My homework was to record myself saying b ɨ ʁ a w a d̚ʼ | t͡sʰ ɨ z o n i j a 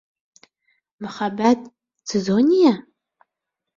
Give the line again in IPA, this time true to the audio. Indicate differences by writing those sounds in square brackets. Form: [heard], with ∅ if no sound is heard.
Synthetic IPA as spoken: [m] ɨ [χ] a [b] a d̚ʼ | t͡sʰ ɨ z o n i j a